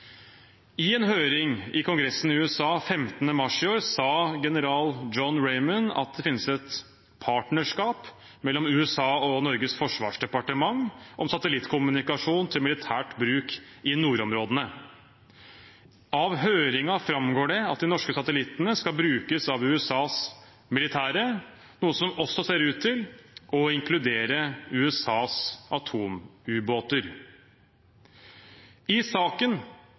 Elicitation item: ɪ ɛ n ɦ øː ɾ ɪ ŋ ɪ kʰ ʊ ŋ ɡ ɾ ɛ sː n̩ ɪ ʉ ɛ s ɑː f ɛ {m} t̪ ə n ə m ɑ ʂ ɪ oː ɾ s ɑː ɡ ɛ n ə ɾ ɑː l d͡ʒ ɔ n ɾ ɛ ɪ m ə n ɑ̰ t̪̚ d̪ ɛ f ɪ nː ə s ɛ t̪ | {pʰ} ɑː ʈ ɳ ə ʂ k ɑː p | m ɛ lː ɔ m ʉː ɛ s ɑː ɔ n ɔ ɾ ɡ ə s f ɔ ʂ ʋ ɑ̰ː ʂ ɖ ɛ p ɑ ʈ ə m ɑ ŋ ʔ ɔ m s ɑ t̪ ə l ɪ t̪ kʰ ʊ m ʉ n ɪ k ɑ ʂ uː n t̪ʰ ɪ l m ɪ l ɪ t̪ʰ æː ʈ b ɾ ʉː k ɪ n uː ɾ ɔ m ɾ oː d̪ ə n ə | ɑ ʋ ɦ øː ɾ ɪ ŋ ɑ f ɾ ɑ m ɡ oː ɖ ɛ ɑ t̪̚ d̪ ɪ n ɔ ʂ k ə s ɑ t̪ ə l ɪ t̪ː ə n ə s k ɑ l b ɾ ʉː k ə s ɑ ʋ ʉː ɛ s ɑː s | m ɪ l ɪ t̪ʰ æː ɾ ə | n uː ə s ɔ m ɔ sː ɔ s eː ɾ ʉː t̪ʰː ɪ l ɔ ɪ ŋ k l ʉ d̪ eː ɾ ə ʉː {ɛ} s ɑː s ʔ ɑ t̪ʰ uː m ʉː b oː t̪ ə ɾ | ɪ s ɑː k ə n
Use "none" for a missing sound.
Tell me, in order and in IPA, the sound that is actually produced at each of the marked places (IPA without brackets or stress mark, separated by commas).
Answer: m, pʰ, ɛ